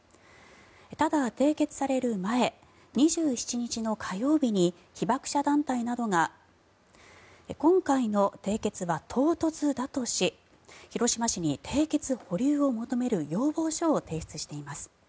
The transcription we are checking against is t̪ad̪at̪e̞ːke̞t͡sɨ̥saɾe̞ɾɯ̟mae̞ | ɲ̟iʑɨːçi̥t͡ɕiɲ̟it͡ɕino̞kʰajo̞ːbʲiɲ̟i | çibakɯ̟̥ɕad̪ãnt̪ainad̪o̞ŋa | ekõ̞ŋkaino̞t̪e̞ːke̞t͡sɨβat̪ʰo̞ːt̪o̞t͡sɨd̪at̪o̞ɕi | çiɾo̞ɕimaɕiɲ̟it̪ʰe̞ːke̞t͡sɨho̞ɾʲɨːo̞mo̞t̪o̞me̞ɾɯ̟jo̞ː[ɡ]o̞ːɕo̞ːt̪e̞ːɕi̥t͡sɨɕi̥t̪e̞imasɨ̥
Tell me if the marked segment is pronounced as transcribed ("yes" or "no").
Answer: no